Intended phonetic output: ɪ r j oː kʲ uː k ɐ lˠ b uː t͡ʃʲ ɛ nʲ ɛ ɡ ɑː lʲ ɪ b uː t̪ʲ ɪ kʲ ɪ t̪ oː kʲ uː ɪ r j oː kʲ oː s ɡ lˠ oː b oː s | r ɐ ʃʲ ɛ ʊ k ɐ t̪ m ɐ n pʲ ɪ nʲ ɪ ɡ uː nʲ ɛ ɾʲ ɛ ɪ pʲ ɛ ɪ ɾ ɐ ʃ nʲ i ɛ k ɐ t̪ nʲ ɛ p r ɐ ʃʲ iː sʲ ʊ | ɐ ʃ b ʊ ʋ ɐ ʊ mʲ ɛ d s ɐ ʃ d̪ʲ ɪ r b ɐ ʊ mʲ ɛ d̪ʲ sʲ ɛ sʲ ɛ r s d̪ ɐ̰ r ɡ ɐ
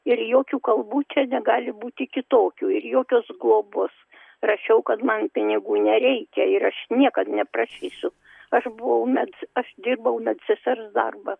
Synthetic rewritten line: ɪ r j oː kʲ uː k ɐ lˠ b uː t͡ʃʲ ɛ nʲ ɛ ɡ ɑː lʲ ɪ b uː t̪ʲ ɪ kʲ ɪ t̪ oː kʲ uː ɪ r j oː kʲ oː s ɡ lˠ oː b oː s | r ɐ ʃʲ ɛ ʊ k ɐ t̪ m ɐ n pʲ ɪ nʲ ɪ ɡ uː nʲ ɛ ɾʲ ɛ ɪ kʲ ɛ ɪ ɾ ɐ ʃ nʲ i ɛ k ɐ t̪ nʲ ɛ p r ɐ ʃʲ iː sʲ ʊ | ɐ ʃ b ʊ ʋ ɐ ʊ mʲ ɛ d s ɐ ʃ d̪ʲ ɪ r b ɐ ʊ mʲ ɛ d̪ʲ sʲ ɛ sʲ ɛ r s d̪ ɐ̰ r b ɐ